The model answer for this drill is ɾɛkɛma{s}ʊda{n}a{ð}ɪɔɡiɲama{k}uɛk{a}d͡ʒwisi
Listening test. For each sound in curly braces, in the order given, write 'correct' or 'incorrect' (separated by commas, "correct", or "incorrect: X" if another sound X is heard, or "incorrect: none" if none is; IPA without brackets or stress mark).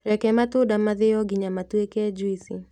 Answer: incorrect: t, incorrect: m, correct, incorrect: t, incorrect: ɛ